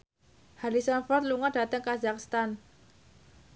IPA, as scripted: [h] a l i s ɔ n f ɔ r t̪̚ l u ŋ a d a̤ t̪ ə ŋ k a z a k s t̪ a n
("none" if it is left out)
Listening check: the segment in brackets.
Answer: h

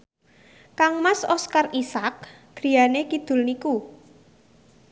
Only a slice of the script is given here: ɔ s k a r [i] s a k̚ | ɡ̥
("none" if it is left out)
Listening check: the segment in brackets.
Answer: i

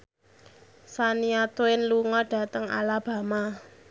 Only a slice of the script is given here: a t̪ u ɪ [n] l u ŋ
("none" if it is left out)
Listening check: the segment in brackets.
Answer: n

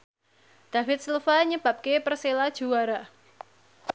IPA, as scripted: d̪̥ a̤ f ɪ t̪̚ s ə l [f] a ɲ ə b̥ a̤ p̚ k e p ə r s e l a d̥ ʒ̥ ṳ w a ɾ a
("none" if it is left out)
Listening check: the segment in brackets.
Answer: f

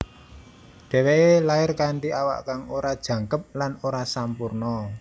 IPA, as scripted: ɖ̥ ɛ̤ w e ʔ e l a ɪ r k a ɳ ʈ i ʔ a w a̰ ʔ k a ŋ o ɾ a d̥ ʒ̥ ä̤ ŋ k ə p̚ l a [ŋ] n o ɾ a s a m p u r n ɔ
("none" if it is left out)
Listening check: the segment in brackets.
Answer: none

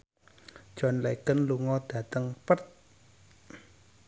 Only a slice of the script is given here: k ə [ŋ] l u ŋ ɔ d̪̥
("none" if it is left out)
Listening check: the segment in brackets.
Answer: n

